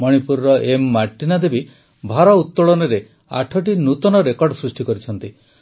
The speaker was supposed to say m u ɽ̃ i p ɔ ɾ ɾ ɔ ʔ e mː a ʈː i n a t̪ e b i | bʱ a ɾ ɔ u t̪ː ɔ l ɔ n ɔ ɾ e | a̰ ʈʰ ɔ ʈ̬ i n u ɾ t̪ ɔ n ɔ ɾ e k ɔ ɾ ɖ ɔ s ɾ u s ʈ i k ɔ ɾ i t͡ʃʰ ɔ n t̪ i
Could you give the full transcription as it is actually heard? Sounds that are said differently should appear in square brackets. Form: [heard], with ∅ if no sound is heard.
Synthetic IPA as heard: m [ɔ] ɽ̃ i p [u] ɾ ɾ ɔ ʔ e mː a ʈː i n a [d̪] e b i | bʱ a ɾ ɔ u t̪ː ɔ [ɭ] ɔ n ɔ ɾ e | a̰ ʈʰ ɔ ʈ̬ i n u [∅] t̪ ɔ n ɔ ɾ e k ɔ ɾ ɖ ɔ s ɾ u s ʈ i k ɔ ɾ i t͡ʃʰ ɔ n t̪ i